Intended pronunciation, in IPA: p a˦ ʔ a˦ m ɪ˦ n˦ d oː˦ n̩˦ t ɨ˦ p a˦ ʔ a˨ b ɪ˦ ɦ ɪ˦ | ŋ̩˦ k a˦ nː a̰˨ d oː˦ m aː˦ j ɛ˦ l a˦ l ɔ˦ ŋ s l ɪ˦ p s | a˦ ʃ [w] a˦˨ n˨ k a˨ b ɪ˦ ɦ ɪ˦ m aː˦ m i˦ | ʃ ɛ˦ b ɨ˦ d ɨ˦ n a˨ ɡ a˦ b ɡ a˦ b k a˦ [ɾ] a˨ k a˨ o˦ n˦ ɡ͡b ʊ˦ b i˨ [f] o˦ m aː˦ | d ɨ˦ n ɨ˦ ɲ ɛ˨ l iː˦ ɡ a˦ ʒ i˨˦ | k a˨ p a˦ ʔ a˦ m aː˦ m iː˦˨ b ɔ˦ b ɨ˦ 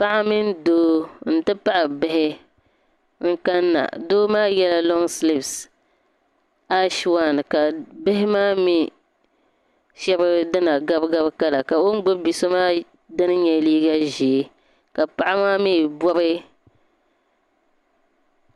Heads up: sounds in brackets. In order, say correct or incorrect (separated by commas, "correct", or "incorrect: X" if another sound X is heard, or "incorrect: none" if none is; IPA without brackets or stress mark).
correct, incorrect: l, incorrect: s